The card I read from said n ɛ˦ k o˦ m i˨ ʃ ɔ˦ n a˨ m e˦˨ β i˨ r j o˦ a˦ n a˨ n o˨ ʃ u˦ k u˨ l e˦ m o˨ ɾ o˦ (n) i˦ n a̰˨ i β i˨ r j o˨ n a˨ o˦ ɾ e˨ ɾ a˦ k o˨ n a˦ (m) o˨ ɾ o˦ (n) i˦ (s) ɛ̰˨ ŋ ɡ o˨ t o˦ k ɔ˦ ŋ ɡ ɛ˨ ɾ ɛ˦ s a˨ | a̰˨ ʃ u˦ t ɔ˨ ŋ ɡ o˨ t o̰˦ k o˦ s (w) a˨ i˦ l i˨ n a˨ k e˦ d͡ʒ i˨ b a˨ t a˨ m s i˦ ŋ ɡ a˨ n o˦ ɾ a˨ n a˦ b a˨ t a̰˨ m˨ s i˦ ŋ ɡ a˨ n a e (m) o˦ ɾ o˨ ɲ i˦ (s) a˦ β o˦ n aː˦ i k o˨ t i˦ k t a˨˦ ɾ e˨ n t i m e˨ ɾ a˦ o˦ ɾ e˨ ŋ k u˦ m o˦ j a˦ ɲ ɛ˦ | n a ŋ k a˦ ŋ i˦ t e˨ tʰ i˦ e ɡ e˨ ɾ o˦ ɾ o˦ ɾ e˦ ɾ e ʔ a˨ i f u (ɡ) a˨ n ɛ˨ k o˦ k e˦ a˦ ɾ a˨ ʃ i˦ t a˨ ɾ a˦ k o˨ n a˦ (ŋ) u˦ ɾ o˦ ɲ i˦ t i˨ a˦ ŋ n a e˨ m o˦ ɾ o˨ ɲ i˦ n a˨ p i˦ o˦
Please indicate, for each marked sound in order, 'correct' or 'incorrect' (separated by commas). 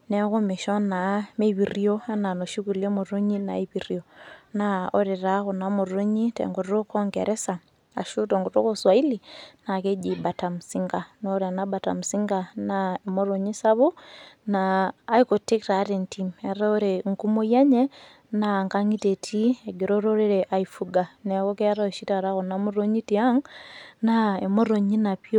incorrect, correct, incorrect, incorrect, correct, correct, correct, correct, incorrect